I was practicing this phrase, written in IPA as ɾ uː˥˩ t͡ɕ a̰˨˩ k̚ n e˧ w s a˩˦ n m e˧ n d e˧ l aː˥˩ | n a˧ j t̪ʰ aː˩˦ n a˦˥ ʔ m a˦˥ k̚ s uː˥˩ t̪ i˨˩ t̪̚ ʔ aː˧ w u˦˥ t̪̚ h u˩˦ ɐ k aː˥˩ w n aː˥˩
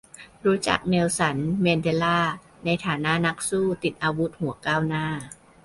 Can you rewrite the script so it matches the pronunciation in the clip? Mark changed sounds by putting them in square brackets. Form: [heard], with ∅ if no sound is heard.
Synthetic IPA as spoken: ɾ [uː˦˥] t͡ɕ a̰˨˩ k̚ n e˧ w s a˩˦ n m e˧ n d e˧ l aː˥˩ | n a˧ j t̪ʰ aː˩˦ n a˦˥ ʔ [n] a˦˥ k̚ s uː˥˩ t̪ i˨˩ t̪̚ ʔ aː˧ w u˦˥ t̪̚ h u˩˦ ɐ k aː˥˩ w n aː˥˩

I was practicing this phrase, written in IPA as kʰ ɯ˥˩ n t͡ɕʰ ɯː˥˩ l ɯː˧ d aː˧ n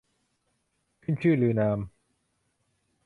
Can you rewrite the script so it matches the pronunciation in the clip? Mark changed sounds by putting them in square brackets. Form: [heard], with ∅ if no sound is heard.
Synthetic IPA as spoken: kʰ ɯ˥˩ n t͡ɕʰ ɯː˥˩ l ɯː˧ [n] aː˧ [m]

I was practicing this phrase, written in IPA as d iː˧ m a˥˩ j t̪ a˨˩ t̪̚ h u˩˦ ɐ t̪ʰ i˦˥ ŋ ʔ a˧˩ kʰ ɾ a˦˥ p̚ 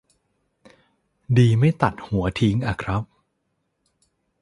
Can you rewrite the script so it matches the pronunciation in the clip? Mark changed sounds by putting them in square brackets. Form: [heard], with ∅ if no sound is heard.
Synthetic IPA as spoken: d iː˧ m a˥˩ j t̪ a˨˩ t̪̚ h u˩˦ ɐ t̪ʰ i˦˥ ŋ ʔ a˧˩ kʰ ɾ a˦˥ p̚

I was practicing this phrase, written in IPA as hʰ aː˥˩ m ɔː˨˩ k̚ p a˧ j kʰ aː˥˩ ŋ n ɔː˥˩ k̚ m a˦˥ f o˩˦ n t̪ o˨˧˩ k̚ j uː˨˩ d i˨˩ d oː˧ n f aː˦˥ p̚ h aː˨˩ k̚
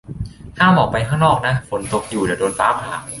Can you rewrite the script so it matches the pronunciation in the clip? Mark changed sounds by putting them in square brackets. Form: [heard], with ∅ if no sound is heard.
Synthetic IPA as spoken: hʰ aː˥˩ m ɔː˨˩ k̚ p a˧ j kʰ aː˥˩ ŋ n ɔː˥˩ k̚ [n] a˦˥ f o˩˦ n t̪ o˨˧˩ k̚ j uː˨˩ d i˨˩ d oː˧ n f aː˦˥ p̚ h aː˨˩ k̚

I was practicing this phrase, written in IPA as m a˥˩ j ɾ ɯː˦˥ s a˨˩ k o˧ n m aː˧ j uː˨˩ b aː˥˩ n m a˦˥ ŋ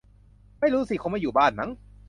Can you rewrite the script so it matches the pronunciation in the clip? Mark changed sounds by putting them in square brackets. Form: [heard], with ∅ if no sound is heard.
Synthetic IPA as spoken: m a˥˩ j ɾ [uː˦˥] s [i˨˩] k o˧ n m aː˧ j uː˨˩ b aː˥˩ n m a˦˥ ŋ

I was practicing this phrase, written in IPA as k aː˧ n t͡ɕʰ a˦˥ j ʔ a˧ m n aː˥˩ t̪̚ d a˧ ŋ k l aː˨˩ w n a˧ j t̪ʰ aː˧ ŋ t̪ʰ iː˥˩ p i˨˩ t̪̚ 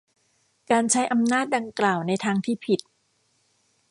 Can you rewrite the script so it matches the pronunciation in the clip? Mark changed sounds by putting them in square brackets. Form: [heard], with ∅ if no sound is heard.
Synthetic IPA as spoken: k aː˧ n t͡ɕʰ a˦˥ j ʔ a˧ m n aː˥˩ t̪̚ d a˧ ŋ k l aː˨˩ w n a˧ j t̪ʰ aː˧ ŋ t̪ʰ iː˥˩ [pʰ] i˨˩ t̪̚

